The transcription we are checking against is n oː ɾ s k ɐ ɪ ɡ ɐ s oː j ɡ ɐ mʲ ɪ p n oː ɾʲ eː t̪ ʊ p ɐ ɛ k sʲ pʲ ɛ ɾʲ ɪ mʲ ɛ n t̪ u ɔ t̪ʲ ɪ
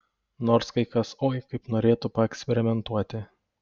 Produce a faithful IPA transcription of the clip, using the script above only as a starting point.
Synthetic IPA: n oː ɾ s k ɐ ɪ k ɐ s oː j k ɐ ɪ p n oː ɾʲ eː t̪ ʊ p ɐ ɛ k sʲ pʲ ɛ ɾʲ ɪ mʲ ɛ n t̪ u ɔ t̪ʲ ɪ